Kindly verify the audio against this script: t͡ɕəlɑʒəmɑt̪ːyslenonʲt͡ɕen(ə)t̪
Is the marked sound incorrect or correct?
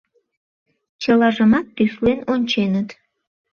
correct